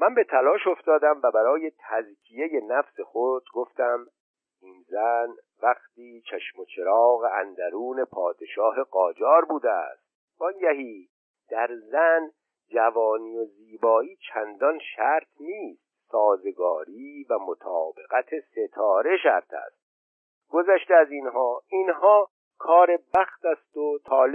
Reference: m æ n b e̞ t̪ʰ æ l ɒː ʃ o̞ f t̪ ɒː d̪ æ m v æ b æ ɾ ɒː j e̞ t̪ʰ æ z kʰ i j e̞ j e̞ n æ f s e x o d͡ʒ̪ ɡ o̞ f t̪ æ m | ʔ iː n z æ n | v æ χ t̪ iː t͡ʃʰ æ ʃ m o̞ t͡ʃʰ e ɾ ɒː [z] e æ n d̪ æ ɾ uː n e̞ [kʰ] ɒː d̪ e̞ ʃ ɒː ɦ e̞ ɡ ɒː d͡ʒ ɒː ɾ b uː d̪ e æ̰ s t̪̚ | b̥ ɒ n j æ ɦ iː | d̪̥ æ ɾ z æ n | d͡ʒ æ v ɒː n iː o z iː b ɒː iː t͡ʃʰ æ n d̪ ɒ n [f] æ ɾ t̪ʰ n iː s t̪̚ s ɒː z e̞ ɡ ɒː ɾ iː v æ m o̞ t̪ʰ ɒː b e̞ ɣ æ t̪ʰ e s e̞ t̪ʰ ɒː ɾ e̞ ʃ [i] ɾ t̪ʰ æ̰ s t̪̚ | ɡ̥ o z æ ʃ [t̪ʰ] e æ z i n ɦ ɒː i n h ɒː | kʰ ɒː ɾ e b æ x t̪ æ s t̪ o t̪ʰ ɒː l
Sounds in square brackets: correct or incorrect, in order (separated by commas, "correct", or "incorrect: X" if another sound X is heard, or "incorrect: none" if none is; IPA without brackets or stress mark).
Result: incorrect: ɣ, incorrect: pʰ, incorrect: ʃ, incorrect: æ, incorrect: t̪